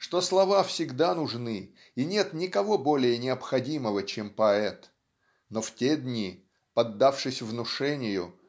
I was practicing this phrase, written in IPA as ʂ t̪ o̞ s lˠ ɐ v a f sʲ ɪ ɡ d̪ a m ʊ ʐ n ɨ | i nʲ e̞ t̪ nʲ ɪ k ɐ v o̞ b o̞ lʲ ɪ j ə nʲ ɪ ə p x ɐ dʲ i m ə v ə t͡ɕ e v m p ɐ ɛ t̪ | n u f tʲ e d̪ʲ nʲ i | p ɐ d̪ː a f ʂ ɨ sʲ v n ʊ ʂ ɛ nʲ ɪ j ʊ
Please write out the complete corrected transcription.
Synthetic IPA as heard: ʂ t̪ o̞ s lˠ ɐ v a f sʲ ɪ ɡ d̪ a n ʊ ʐ n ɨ | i nʲ e̞ t̪ nʲ ɪ k ɐ v o̞ b o̞ lʲ ɪ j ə nʲ ɪ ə p x ɐ dʲ i m ə v ə t͡ɕ e m p ɐ ɛ t̪ | n o f tʲ e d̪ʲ nʲ i | p ɐ d̪ː a f ʂ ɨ sʲ v n ʊ ʂ ɛ nʲ ɪ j ʊ